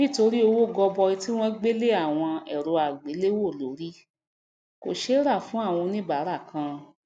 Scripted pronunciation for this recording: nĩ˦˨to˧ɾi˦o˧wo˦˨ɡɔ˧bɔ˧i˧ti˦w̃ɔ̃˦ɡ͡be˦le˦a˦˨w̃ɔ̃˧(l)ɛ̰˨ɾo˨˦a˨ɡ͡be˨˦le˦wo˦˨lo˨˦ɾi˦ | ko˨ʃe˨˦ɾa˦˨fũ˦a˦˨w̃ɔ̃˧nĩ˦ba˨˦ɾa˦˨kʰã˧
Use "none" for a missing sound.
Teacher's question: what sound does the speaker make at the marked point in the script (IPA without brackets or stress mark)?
none